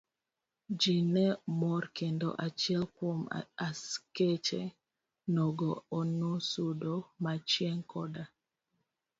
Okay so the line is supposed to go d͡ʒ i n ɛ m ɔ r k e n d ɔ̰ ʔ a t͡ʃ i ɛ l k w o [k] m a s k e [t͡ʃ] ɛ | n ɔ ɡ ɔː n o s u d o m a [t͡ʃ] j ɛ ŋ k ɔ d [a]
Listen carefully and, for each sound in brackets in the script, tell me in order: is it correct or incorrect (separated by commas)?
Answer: incorrect, correct, correct, correct